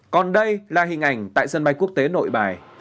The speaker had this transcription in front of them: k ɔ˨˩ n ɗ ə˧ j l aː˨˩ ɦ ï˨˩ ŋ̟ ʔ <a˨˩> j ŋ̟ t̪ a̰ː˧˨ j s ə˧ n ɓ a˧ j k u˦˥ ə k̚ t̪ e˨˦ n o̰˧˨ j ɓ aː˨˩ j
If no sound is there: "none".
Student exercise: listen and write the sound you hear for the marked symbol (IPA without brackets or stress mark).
a˨˩